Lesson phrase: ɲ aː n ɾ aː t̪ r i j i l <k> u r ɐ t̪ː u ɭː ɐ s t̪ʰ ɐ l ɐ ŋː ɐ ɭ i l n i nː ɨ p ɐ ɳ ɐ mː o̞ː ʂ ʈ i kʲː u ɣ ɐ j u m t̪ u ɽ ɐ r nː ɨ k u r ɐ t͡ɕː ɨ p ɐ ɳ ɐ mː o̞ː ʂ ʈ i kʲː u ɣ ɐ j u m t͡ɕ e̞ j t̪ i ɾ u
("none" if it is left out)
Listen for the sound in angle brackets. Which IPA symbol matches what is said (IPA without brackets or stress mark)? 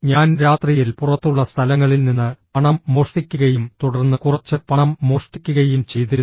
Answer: p